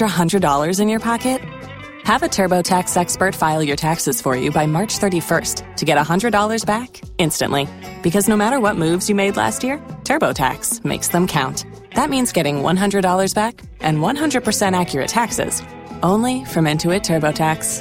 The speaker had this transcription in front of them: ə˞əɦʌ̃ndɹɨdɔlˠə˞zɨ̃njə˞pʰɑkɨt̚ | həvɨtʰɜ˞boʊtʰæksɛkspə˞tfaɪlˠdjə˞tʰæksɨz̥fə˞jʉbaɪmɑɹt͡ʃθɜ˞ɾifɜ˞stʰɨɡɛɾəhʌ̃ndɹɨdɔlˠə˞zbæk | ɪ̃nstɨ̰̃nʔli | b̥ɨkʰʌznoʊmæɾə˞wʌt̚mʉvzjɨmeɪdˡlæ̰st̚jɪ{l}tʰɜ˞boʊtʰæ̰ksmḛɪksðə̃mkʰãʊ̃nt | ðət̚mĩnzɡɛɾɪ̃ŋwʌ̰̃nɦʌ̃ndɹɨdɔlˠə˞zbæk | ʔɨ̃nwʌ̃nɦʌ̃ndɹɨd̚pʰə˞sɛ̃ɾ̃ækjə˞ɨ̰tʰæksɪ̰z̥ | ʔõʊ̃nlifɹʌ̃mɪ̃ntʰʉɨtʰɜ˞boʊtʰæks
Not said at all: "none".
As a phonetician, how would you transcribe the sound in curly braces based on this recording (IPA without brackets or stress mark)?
ɹ